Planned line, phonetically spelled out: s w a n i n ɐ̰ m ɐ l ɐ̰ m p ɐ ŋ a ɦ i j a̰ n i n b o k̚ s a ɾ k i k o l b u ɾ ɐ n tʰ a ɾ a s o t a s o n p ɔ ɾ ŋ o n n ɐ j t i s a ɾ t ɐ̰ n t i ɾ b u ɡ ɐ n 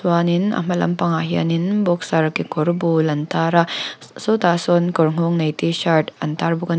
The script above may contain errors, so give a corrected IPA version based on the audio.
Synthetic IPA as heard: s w a n i n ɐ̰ m ɐ l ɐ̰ m p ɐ ŋ a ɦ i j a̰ n i n b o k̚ s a ɾ k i k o ɾ b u l ɐ n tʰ a ɾ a s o t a s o n k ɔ ɾ ŋ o ŋ n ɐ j t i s a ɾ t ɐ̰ n t a ɾ b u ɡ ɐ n